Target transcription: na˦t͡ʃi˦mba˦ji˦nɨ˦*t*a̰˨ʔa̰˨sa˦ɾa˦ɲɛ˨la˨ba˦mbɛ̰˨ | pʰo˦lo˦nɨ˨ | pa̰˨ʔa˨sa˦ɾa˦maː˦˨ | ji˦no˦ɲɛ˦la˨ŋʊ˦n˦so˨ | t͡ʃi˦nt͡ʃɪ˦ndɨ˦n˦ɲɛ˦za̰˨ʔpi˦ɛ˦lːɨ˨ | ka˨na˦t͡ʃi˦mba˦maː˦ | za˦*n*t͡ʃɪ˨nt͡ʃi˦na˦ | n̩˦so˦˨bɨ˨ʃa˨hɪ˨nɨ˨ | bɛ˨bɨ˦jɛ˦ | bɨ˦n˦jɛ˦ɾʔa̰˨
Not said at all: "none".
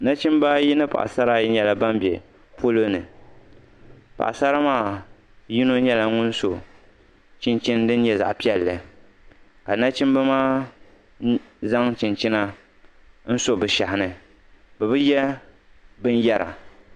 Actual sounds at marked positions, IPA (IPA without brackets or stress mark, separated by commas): p, ŋ